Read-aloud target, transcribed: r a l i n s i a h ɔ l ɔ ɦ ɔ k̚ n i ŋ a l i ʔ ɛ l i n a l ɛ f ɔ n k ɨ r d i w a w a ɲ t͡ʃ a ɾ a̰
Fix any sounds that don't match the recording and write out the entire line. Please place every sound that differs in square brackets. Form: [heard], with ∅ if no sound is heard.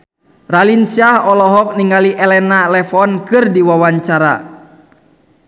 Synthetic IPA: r a l i n s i a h ɔ l ɔ ɦ ɔ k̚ n i ŋ a l i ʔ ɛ l [ɛ] n a l ɛ f ɔ n k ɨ r d i w a w a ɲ t͡ʃ a ɾ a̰